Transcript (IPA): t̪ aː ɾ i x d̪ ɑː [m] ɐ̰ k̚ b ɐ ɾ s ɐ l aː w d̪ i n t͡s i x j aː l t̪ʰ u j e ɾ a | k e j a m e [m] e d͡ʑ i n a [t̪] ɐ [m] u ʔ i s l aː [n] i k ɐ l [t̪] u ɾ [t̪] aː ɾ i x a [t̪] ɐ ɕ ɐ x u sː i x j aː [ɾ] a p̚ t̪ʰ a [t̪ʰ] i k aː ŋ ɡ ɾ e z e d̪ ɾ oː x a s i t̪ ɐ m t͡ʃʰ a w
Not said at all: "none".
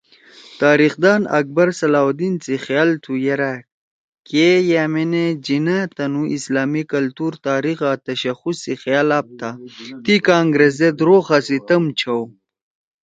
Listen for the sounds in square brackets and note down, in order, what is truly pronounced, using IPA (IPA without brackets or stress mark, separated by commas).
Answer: n, n, t̪, n, m, t̪, t̪, t̪, l, t̪